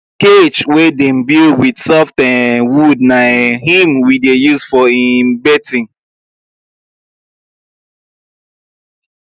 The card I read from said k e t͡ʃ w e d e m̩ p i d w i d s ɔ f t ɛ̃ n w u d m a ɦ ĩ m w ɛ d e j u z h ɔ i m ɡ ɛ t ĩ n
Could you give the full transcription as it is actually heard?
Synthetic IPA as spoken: k e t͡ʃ w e d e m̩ b i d w i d s ɔ f t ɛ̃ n w u d n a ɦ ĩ m w i d e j u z f ɔ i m b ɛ t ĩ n